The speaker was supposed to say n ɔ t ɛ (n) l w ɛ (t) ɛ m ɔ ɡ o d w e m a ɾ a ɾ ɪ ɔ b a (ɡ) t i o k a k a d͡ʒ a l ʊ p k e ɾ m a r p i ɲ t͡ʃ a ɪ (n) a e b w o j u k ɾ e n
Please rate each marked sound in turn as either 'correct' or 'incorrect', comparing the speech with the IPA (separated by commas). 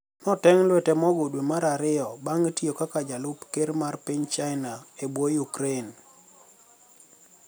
incorrect, correct, incorrect, correct